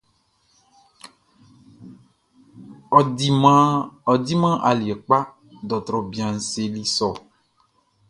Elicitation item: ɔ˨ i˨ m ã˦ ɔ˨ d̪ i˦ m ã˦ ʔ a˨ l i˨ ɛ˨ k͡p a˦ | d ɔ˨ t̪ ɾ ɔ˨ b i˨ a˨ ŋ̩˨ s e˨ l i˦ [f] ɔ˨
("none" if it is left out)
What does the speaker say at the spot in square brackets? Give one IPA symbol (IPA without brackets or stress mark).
s